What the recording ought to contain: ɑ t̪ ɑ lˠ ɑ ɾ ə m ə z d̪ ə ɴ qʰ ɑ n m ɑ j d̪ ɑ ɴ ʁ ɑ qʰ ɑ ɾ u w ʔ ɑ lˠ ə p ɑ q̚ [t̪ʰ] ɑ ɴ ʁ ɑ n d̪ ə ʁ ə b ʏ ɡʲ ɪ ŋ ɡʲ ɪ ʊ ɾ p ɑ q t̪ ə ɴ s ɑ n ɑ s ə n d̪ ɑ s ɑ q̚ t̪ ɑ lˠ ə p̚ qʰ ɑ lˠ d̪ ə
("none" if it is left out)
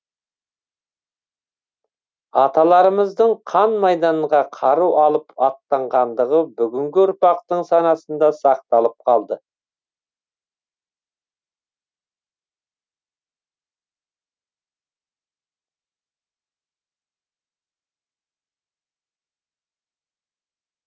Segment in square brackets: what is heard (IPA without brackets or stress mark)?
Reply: t̪